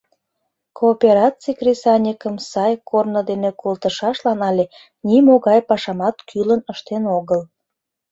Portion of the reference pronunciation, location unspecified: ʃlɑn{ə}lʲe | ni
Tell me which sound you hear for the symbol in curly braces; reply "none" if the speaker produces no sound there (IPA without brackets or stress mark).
ɑ